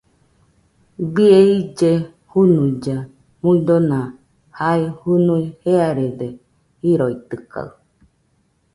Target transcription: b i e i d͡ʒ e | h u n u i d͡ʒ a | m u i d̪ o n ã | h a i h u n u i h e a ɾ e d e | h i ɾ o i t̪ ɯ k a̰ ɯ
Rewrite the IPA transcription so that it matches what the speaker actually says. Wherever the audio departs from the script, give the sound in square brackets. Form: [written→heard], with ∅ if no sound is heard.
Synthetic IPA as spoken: b i e i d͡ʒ e | h u n u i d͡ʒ a | m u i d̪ o n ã | h a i h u n u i h e a ɾ e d e | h i ɾ o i t̪ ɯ k a̰ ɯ

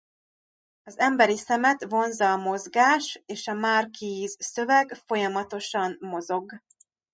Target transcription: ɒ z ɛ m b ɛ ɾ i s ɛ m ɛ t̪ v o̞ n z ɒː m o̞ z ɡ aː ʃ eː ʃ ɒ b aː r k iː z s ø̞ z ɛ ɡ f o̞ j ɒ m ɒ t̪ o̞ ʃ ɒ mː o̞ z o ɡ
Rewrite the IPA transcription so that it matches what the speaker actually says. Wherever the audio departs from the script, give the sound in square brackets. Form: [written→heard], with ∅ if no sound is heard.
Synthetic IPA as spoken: ɒ z ɛ m b ɛ ɾ i s ɛ m ɛ t̪ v o̞ n z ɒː m o̞ z ɡ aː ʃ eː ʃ ɒ [b→m] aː r k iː z s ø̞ [z→v] ɛ ɡ f o̞ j ɒ m ɒ t̪ o̞ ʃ ɒ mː o̞ z o ɡ

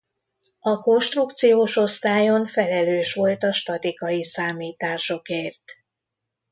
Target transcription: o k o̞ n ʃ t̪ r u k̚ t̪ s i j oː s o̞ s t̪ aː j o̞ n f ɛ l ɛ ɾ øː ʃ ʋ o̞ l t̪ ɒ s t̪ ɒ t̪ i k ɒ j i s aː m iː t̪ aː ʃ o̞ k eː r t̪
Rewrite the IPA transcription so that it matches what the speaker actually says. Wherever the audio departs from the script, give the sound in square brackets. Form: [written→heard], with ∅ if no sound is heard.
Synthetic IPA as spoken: [o→ɒ] k o̞ n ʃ t̪ r u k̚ t̪ s i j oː [s→ʃ] o̞ s t̪ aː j o̞ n f ɛ l ɛ [ɾ→l] øː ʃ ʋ o̞ l t̪ ɒ [s→ʃ] t̪ ɒ t̪ i k ɒ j i s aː m iː t̪ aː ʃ o̞ k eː r t̪

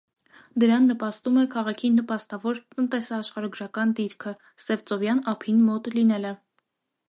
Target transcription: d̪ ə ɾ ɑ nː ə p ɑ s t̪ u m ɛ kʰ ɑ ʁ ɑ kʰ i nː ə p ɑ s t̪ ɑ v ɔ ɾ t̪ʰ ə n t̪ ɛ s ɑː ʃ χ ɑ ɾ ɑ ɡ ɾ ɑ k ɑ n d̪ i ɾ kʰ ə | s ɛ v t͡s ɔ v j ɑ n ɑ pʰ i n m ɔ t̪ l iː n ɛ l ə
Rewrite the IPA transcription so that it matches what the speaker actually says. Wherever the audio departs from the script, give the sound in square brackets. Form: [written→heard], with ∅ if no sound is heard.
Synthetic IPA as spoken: d̪ ə ɾ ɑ nː ə p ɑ s t̪ u m ɛ kʰ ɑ ʁ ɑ kʰ i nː ə p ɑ s t̪ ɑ v ɔ ɾ [t̪ʰ→t̪] ə n t̪ ɛ s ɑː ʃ χ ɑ ɾ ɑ ɡ ɾ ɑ k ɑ n d̪ i ɾ kʰ ə | s ɛ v t͡s ɔ v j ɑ n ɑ pʰ i n m ɔ t̪ l [iː→i] n ɛ l ə

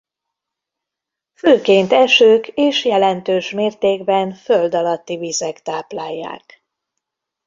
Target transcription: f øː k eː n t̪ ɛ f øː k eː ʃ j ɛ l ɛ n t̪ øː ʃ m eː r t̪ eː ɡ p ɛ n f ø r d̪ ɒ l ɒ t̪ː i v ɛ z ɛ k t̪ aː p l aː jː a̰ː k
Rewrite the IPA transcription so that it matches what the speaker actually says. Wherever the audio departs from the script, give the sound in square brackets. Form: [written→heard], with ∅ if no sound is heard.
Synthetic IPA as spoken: f øː k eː n t̪ ɛ [f→ʃ] øː k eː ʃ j ɛ l ɛ n t̪ øː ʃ m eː r t̪ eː ɡ [p→b] ɛ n f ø [r→l] d̪ ɒ l ɒ t̪ː i v [ɛ→i] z ɛ k t̪ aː p l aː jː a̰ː k

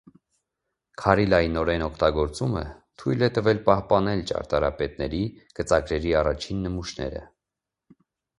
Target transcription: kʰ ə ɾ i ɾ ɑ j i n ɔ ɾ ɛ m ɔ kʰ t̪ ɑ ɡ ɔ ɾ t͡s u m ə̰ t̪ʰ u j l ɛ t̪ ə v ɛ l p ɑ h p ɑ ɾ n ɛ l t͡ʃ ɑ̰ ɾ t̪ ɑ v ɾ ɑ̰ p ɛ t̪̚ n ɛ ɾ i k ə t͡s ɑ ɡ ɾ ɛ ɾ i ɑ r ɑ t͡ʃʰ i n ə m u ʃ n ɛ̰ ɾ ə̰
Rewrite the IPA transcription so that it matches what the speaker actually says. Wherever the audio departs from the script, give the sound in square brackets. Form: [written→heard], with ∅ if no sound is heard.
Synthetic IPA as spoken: kʰ [ə→ɑ] ɾ i [ɾ→l] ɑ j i n ɔ ɾ ɛ [m→n] ɔ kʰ t̪ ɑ ɡ ɔ ɾ t͡s u m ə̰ t̪ʰ u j l ɛ t̪ ə v ɛ l p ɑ h p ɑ [ɾ→∅] n ɛ l t͡ʃ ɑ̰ ɾ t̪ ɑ [v→∅] ɾ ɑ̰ p ɛ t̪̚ n ɛ ɾ i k ə t͡s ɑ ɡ ɾ ɛ ɾ i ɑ r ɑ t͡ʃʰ i [n→nː] ə m u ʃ n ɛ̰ ɾ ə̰

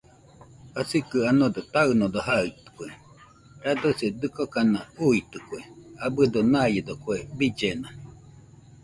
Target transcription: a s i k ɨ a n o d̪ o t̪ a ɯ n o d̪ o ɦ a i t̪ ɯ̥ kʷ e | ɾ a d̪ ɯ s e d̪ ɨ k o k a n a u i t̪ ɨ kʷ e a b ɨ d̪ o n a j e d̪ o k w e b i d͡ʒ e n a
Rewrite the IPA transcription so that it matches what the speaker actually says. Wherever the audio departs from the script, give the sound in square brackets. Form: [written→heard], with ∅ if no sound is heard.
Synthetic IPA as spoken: a s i k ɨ a n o d̪ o t̪ a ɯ n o d̪ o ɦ a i t̪ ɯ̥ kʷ e | ɾ a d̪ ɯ s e d̪ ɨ k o k a n a u i t̪ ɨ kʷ e a b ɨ d̪ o n a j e d̪ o k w e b i d͡ʒ e n a

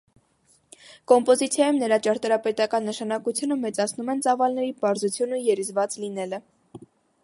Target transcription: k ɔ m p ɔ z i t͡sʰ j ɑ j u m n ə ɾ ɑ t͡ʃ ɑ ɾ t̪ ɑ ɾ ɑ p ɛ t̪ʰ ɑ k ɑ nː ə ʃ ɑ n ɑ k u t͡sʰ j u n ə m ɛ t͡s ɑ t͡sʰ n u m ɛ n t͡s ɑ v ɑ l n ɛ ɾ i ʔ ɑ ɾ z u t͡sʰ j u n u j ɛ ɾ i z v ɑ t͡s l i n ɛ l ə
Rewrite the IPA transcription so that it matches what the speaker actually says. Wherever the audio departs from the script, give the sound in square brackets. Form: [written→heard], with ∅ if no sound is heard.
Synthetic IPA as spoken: k ɔ m p ɔ z i t͡sʰ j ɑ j u m n ə ɾ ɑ t͡ʃ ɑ ɾ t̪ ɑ ɾ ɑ p ɛ [t̪ʰ→t̪] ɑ k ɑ nː ə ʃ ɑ n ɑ k u t͡sʰ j u n ə m ɛ t͡s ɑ t͡sʰ n u m ɛ n t͡s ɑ v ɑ l n ɛ ɾ i [ʔ→p] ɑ ɾ z u t͡sʰ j u n u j ɛ ɾ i z v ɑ t͡s l i n ɛ l ə

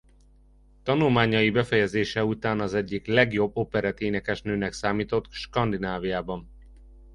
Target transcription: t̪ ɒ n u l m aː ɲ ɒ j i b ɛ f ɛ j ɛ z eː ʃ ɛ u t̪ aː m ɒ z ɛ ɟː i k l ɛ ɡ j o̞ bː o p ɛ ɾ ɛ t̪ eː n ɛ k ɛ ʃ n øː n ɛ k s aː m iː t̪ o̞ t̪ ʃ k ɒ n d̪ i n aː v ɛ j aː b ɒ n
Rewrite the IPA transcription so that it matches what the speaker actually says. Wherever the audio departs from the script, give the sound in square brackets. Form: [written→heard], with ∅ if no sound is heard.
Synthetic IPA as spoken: t̪ ɒ n u l m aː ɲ ɒ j i b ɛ f ɛ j ɛ z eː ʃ ɛ u t̪ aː [m→n] ɒ z ɛ ɟː i k l ɛ ɡ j o̞ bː o p ɛ ɾ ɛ t̪ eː n ɛ k ɛ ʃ n øː n ɛ k s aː m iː t̪ o̞ t̪ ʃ k ɒ n d̪ i n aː v [ɛ→i] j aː b ɒ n

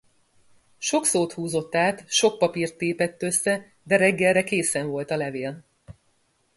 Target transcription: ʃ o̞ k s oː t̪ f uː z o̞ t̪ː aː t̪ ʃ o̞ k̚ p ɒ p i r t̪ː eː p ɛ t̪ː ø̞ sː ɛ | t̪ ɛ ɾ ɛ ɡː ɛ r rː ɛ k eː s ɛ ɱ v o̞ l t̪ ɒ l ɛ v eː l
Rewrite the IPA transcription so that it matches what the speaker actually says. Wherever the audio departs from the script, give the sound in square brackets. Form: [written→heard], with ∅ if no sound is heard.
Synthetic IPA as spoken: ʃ o̞ k s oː t̪ [f→h] uː z o̞ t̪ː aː t̪ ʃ o̞ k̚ p ɒ p i r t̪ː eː p ɛ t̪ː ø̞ sː ɛ | [t̪→d̪] ɛ ɾ ɛ ɡː ɛ [r→l] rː ɛ k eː s ɛ ɱ v o̞ l t̪ ɒ l ɛ v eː l

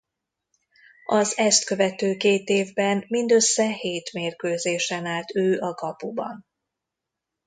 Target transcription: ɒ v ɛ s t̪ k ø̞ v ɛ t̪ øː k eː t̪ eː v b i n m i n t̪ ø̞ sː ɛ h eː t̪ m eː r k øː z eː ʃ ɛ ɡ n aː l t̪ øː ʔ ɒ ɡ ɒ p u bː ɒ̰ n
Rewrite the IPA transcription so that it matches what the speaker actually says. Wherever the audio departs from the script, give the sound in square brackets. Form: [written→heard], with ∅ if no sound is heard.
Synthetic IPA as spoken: ɒ [v→z] ɛ s t̪ k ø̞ v ɛ t̪ øː k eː t̪ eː v b [i→ɛ] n m i n [t̪→d̪] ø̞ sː ɛ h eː t̪ m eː r k øː z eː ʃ ɛ [ɡ→∅] n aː l t̪ øː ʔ ɒ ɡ ɒ p u [bː→b] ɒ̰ n

